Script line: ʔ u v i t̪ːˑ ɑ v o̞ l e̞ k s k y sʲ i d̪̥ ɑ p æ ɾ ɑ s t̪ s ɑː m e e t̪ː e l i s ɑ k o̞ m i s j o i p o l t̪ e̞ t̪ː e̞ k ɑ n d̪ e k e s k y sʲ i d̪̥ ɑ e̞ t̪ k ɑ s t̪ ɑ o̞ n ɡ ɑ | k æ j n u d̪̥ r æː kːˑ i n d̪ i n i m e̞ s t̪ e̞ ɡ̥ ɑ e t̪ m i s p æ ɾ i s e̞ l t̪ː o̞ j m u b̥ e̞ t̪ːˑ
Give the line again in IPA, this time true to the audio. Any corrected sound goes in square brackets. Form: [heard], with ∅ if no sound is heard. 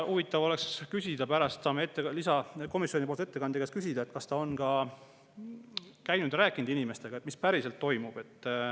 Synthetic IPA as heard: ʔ u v i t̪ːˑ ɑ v o̞ l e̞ k s k y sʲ i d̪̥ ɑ p æ ɾ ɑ s t̪ s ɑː m e e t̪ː e l i s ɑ k o̞ m i s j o i p o l t̪ e̞ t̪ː e̞ k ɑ n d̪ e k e s k y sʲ i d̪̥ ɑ e̞ t̪ k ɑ s t̪ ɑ o̞ n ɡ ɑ | k æ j n u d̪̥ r æː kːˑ i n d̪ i n i m e̞ s t̪ e̞ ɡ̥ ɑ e t̪ m i s p æ ɾ i s e̞ l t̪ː o̞ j m u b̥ e̞ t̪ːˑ